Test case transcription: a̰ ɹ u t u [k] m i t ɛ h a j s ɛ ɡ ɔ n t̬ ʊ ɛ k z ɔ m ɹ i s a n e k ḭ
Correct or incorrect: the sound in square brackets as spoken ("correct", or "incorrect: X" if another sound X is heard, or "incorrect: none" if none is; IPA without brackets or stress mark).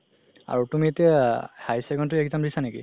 incorrect: none